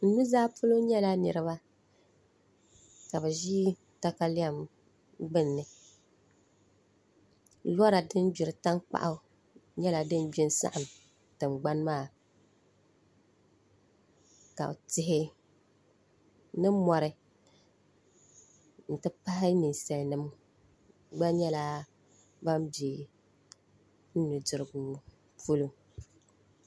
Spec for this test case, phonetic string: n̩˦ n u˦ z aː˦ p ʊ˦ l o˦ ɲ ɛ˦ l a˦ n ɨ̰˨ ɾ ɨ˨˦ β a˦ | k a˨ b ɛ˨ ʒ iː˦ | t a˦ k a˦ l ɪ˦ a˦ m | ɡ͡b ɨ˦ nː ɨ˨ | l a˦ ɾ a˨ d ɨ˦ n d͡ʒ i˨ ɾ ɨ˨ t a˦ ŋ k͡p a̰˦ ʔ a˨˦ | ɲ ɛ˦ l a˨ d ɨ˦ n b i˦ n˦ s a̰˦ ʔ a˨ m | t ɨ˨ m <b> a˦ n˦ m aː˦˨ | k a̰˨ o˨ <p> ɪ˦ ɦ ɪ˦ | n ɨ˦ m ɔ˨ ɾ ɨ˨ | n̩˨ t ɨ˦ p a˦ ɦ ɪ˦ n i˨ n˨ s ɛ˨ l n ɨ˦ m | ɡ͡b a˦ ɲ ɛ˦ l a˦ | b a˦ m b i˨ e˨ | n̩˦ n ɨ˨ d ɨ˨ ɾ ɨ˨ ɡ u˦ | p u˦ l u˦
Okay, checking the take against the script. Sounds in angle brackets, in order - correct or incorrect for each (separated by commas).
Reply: incorrect, incorrect